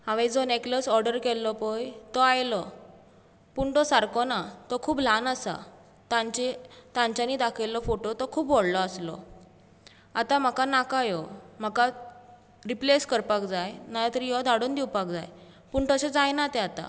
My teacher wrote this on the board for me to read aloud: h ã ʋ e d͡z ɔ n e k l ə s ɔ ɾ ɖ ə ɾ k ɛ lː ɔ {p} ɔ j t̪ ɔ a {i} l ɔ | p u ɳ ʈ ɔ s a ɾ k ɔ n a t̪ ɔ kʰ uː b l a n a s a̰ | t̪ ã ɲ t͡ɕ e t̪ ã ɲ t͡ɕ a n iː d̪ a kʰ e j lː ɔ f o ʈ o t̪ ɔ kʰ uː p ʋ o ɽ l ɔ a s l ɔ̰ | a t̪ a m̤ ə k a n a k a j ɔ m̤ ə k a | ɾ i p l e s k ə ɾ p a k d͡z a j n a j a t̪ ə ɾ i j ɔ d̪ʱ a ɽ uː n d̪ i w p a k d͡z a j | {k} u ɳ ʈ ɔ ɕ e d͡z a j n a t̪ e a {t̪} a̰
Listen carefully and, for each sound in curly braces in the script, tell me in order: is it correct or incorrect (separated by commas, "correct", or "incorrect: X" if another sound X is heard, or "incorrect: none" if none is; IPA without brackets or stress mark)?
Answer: correct, incorrect: j, incorrect: p, correct